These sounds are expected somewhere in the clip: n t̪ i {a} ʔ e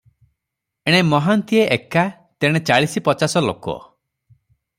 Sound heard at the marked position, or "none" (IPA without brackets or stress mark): e